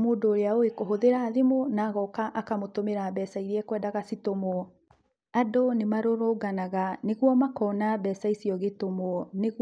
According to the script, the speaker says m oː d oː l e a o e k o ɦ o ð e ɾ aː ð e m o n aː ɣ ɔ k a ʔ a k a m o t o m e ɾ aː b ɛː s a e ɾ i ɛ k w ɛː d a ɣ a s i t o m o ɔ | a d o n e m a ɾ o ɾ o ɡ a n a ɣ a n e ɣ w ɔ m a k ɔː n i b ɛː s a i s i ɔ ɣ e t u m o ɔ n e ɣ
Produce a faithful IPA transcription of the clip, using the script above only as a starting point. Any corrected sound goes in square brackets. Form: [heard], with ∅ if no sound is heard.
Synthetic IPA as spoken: m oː d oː [ɾ] e a o e k o ɦ o ð e ɾ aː ð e m o n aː ɣ ɔ k a ʔ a k a m o t o m e ɾ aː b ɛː s a [i] ɾ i ɛ k w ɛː d a ɣ a s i t o m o ɔ | a d o n e m a ɾ o ɾ o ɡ a n a ɣ a n e ɣ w ɔ m a k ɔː n [a] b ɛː s a i s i ɔ ɣ e t [o] m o ɔ n e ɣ